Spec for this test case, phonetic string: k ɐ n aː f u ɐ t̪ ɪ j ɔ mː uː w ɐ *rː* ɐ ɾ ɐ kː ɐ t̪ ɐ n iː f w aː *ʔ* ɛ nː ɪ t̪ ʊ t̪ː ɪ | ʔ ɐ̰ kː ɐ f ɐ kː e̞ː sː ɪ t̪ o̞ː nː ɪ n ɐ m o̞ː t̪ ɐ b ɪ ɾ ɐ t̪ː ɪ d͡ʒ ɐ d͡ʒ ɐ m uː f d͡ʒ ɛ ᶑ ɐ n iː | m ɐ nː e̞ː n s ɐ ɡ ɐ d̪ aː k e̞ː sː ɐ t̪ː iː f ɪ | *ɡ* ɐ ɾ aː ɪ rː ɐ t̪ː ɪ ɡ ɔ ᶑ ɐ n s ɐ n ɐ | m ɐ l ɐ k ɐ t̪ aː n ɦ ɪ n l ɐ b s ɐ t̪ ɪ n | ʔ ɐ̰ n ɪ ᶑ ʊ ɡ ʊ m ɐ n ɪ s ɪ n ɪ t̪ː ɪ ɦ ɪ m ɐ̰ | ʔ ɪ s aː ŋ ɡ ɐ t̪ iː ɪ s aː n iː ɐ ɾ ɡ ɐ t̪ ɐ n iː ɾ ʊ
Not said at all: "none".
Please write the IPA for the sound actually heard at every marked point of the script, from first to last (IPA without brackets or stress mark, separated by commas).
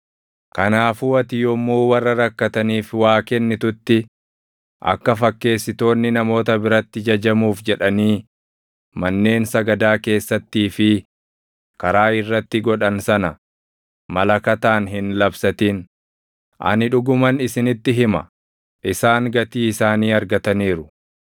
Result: rː, k, k